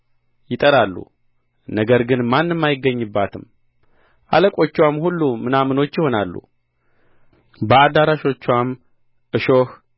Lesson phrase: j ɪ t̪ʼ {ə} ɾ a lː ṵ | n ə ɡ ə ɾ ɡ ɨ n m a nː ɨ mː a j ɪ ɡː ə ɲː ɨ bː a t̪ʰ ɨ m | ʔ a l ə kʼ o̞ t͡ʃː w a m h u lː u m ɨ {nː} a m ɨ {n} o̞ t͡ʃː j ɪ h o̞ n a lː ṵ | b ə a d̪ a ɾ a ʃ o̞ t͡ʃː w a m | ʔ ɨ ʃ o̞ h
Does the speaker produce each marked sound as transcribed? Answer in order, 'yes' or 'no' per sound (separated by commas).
yes, no, yes